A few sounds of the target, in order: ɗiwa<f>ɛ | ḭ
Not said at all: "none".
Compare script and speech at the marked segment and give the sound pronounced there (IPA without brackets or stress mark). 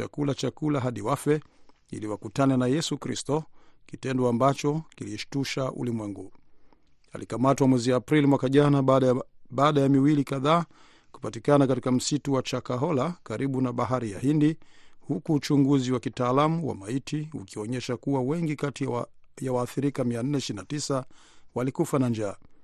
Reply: f